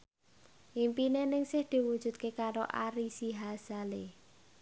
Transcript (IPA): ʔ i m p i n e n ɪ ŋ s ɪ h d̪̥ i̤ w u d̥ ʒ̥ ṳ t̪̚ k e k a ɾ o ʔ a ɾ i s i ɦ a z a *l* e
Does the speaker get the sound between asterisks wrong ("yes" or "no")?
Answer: no